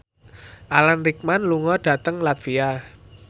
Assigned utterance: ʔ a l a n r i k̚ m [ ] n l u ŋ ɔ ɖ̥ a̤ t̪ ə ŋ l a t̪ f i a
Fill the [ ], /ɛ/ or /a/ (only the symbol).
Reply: a